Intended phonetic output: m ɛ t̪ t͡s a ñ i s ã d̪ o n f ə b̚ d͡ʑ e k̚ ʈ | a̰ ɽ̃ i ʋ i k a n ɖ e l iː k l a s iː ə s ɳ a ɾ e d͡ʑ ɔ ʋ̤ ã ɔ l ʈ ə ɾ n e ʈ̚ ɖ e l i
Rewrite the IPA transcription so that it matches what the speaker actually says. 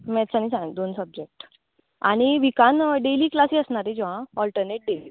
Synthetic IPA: m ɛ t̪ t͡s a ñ i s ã d̪ o n s ə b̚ d͡ʑ e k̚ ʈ | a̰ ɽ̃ i ʋ i k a n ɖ e l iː k l a s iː ə s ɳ a ɾ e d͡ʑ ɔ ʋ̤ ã ɔ l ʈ ə ɾ n e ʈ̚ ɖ e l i